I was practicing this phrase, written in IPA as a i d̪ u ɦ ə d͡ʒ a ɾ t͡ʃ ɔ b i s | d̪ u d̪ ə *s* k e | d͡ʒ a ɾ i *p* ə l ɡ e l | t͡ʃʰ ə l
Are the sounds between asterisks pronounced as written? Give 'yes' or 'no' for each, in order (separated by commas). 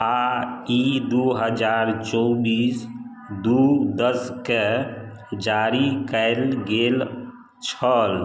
yes, no